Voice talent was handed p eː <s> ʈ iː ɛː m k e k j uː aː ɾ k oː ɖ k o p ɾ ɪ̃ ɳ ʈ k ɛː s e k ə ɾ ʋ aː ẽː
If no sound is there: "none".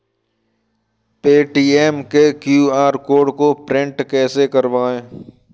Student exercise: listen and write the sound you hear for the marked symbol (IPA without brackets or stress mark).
none